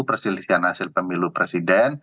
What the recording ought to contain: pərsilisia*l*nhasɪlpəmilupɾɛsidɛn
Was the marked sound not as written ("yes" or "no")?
yes